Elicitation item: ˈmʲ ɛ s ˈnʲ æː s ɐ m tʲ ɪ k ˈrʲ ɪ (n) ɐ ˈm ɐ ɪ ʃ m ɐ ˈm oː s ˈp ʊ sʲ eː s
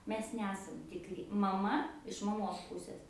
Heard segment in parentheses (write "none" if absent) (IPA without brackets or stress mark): m